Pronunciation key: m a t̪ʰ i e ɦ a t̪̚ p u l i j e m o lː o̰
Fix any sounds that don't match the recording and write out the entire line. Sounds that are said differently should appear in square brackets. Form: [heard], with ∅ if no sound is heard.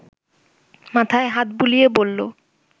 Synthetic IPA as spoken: m a t̪ʰ [a] e ɦ a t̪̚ [b] u l i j e [b] o lː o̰